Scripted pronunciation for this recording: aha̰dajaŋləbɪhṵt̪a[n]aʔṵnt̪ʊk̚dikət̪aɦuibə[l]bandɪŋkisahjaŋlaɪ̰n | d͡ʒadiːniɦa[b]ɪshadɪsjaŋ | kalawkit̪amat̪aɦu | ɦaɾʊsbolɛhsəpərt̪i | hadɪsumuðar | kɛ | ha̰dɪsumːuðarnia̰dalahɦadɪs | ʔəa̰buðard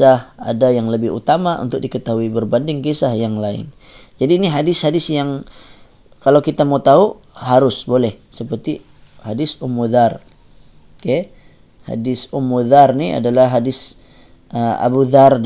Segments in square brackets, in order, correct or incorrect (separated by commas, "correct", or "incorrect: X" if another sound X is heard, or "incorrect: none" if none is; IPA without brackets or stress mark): incorrect: m, incorrect: r, incorrect: d